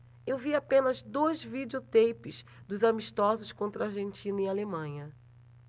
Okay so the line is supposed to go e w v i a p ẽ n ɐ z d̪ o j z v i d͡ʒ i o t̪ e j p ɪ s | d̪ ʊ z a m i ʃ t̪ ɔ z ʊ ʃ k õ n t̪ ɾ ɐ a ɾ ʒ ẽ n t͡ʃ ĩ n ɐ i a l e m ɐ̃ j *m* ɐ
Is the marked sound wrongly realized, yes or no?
yes